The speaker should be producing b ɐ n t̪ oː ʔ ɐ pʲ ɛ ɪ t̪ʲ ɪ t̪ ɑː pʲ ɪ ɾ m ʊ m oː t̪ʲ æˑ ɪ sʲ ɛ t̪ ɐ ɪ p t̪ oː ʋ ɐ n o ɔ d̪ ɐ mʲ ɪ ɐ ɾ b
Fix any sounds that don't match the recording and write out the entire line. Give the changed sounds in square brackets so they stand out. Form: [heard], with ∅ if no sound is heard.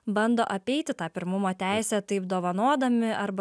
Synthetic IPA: b ɐ n [d̪] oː ʔ ɐ pʲ ɛ ɪ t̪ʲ ɪ t̪ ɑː pʲ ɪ ɾ m ʊ m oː t̪ʲ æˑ ɪ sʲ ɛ t̪ ɐ ɪ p [d̪] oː ʋ ɐ n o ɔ d̪ ɐ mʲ ɪ ɐ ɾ b